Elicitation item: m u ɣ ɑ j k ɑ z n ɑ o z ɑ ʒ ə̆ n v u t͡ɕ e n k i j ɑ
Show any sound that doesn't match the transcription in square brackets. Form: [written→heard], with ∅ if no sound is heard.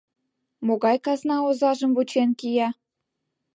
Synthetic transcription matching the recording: m [u→o] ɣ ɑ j k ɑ z n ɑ o z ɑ ʒ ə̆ [n→m] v u t͡ɕ e n k i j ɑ